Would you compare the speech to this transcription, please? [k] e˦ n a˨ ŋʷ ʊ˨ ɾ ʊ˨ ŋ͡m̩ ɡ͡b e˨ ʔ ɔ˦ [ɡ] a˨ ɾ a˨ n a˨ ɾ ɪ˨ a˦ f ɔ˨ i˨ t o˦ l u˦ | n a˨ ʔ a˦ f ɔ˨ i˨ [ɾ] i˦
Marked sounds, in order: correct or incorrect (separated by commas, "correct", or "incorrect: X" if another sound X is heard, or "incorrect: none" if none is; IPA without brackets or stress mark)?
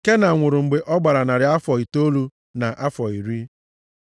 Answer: correct, incorrect: ɡ͡b, correct